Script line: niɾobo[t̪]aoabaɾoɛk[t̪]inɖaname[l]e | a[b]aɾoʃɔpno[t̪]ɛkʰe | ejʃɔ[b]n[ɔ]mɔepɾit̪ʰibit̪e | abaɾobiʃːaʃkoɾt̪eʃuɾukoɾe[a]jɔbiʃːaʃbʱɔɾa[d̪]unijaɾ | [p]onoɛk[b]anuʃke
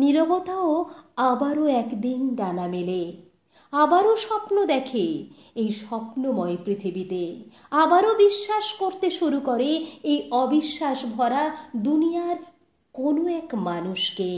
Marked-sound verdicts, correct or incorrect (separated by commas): correct, incorrect, correct, correct, incorrect, incorrect, incorrect, incorrect, correct, incorrect, incorrect